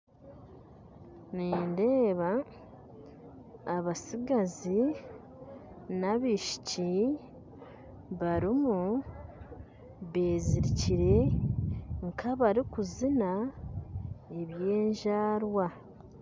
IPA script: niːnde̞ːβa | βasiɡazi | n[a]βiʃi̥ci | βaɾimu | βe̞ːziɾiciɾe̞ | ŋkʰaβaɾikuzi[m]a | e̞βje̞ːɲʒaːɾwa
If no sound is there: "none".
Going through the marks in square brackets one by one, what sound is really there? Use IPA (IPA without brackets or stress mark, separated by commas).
a, n